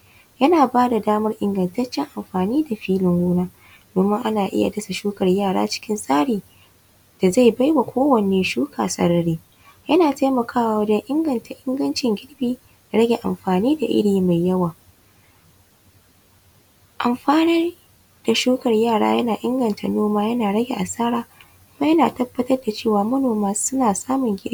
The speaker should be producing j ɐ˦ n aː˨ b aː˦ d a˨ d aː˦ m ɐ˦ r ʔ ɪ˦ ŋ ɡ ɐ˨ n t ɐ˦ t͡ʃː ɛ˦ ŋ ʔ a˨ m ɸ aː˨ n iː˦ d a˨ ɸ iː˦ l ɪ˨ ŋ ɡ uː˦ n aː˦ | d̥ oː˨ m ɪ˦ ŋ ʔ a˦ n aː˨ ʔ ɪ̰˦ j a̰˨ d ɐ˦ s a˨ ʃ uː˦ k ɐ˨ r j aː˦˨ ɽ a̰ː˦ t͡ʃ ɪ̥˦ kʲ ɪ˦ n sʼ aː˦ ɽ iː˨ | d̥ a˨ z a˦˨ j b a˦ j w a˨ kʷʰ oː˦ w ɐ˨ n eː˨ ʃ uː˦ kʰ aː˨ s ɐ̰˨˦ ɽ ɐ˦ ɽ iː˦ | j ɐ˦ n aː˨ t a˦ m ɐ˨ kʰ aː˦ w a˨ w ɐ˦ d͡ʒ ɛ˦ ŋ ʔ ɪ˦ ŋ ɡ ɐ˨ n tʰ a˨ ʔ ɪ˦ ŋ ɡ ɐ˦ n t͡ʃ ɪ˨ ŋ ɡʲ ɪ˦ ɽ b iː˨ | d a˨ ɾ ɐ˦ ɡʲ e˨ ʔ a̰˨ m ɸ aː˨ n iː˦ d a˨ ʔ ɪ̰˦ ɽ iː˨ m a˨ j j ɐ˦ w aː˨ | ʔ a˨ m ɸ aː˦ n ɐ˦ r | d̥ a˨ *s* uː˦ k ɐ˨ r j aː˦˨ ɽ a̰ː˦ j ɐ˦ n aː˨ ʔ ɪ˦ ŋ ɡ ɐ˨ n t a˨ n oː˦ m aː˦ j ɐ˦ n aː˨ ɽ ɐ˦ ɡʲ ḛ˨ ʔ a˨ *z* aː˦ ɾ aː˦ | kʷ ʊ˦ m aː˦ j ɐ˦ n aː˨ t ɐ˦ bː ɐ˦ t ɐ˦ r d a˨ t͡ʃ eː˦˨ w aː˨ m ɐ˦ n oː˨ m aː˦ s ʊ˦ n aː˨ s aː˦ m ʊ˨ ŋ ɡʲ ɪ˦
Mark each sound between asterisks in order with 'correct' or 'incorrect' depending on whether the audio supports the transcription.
incorrect: ʃ, incorrect: s

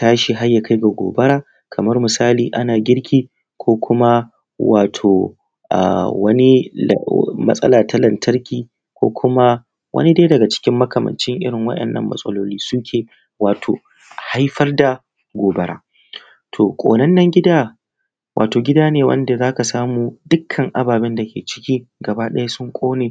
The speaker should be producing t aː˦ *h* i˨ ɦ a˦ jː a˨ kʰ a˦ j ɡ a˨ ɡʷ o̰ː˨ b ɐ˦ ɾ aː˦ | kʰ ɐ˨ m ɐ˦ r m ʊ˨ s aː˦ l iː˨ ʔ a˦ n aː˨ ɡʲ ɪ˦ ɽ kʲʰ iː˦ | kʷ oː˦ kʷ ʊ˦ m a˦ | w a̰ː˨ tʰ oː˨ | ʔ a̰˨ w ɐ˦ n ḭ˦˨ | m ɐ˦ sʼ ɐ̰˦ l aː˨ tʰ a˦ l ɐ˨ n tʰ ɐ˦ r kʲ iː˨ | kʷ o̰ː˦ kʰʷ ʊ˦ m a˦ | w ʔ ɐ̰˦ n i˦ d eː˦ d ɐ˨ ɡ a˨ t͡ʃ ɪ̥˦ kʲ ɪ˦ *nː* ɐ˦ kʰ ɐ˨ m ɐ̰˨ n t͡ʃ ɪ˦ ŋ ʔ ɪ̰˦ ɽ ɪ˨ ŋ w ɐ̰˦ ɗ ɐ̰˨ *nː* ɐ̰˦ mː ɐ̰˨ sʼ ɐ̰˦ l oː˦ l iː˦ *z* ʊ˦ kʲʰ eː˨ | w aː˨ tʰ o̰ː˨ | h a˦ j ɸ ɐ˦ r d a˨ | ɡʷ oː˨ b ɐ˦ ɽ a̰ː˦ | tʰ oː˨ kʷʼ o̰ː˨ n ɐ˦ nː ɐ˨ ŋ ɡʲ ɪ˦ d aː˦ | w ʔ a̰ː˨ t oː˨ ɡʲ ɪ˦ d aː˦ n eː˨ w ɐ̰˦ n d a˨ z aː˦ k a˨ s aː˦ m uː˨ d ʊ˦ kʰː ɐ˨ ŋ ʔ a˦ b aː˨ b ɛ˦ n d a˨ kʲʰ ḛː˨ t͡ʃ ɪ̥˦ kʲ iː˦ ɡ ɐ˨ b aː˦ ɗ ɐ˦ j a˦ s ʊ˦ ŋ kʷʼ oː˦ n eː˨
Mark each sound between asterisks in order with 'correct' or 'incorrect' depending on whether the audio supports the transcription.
incorrect: ʃ, incorrect: mː, correct, incorrect: s

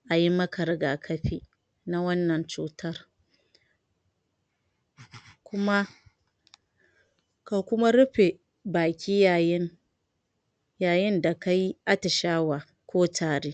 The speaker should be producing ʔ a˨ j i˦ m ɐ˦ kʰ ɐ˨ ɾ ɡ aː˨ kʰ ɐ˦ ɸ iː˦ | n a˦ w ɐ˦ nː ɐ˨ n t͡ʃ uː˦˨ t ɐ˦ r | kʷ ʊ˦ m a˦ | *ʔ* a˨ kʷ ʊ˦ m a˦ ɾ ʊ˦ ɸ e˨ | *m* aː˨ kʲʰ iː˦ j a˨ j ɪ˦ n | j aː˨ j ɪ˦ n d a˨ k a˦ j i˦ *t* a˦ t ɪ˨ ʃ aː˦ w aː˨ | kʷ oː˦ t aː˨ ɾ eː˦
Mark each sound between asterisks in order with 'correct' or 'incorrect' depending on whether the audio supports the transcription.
incorrect: k, incorrect: b, incorrect: ʔ

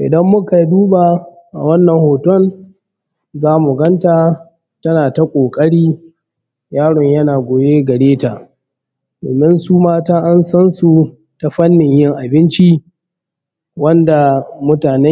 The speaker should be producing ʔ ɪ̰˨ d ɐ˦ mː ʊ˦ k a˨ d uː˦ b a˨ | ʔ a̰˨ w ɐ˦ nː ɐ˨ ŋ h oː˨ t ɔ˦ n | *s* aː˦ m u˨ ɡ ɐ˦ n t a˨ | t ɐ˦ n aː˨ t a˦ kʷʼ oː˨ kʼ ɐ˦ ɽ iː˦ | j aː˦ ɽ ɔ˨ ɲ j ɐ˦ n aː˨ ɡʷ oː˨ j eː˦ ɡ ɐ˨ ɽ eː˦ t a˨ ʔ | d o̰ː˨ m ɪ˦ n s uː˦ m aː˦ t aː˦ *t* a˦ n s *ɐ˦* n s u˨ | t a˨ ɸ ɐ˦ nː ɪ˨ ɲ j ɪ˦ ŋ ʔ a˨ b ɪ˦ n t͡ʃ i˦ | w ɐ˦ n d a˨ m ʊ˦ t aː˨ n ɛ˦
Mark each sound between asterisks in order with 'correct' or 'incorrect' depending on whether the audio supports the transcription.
incorrect: z, incorrect: ʔ, correct

